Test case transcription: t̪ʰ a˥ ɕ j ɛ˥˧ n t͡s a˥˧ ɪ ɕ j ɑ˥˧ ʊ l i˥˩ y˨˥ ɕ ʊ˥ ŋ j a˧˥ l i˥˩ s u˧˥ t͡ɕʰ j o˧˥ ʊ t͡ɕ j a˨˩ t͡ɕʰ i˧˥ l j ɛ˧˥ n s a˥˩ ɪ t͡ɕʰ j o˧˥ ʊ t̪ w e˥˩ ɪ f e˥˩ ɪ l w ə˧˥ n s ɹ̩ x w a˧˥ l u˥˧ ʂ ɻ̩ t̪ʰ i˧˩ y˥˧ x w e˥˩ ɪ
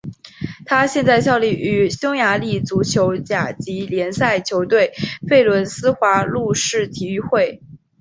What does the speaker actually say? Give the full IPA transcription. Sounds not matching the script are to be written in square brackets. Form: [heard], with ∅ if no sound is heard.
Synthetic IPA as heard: t̪ʰ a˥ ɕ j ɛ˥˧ n t͡s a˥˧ ɪ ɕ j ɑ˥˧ ʊ l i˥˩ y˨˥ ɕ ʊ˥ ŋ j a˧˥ l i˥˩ [t͡s] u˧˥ t͡ɕʰ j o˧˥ ʊ t͡ɕ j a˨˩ [t͡ɕ] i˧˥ l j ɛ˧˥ n s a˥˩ ɪ t͡ɕʰ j o˧˥ ʊ t̪ w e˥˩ ɪ f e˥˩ ɪ l w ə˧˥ n s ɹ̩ x w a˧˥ l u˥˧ ʂ ɻ̩ t̪ʰ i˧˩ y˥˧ x w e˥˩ ɪ